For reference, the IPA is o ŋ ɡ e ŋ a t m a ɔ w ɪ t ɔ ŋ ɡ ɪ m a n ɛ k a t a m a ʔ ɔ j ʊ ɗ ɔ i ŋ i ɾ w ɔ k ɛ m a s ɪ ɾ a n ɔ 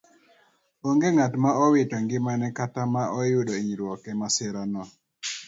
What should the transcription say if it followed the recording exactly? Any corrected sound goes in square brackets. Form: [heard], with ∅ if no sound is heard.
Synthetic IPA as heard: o ŋ ɡ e ŋ a t m a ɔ w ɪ t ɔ ŋ ɡ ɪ m a n ɛ k a t a m a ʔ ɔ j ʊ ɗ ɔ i [ɲ] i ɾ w ɔ k ɛ m a s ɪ ɾ a n ɔ